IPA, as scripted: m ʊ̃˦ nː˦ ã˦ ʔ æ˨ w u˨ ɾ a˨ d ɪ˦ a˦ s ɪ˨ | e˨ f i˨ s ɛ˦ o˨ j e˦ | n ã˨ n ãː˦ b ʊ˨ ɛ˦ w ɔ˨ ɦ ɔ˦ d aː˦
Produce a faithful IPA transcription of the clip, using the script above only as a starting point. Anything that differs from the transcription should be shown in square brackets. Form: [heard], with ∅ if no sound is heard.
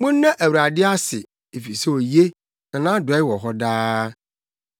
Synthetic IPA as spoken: m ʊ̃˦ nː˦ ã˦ ʔ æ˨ w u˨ ɾ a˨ d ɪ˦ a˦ s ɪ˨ | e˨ f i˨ s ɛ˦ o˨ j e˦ | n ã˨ n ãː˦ [d] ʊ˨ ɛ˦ w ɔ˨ ɦ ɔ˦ d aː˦